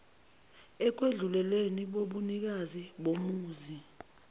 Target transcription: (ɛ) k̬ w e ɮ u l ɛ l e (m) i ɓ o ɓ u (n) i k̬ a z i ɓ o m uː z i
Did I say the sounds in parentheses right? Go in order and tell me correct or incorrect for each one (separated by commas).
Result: correct, incorrect, correct